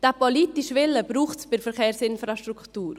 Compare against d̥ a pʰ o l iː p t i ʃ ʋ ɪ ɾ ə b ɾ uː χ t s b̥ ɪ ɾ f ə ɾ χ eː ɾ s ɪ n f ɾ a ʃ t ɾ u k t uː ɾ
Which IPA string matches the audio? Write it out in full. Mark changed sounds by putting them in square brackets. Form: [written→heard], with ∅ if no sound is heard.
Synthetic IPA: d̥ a [pʰ→p] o l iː [p→∅] t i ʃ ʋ ɪ [ɾ→l] ə b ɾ uː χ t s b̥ ɪ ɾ f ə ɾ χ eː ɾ s ɪ n f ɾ a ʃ t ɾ u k t uː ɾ